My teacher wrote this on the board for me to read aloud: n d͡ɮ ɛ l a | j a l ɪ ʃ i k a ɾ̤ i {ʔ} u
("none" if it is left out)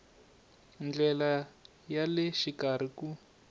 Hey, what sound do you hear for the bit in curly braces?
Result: k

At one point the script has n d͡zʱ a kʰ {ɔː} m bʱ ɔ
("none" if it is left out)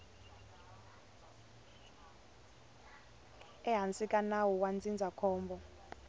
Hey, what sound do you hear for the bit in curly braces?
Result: ɔː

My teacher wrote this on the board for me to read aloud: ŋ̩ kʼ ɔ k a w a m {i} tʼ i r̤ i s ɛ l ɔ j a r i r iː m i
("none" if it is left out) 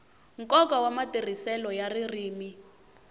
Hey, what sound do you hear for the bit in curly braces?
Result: a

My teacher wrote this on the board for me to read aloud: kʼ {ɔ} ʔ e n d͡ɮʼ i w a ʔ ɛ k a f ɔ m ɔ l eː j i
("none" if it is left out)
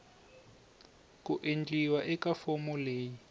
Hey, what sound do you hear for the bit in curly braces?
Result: u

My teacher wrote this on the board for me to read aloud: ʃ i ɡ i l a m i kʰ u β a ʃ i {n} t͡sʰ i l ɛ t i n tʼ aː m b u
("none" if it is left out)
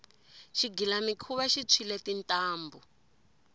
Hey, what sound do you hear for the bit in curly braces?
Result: none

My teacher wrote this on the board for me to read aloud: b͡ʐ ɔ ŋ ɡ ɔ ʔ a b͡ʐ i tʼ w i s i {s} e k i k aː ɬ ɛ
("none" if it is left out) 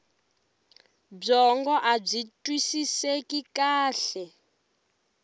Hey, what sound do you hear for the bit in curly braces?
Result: s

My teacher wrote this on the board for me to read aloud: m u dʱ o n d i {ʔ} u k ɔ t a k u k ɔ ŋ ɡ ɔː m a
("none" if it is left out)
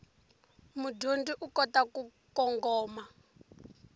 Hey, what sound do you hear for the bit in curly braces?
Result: ʔ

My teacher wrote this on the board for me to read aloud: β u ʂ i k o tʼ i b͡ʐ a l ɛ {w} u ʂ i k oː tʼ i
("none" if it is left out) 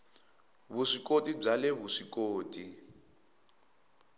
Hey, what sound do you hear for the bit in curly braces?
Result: β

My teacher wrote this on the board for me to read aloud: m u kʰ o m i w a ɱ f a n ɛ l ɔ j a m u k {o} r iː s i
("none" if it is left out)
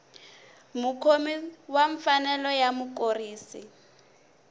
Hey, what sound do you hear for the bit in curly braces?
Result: o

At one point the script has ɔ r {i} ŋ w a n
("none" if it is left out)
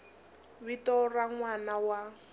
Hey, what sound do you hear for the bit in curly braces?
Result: a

